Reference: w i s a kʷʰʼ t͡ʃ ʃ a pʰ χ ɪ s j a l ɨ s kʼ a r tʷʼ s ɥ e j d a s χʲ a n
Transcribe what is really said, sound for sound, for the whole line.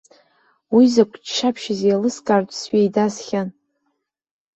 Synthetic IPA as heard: w i z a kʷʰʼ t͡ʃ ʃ a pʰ ʃ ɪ z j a l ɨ s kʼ a r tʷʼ s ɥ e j d a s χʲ a n